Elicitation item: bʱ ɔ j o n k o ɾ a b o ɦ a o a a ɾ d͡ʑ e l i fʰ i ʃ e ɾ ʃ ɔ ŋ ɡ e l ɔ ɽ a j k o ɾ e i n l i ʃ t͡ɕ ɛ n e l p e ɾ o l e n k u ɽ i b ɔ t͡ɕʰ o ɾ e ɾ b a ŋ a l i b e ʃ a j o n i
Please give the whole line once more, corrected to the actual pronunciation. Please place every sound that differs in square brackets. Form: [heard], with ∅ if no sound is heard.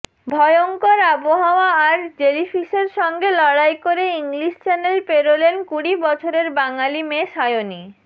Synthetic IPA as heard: bʱ ɔ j o [ŋ] k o ɾ a b o ɦ a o a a ɾ d͡ʑ e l i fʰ i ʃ e ɾ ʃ ɔ ŋ ɡ e l ɔ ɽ a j k o ɾ e i [ŋ] l i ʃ t͡ɕ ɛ n e l p e ɾ o l e n k u ɽ i b ɔ t͡ɕʰ o ɾ e ɾ b a ŋ a l i [m] e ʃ a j o n i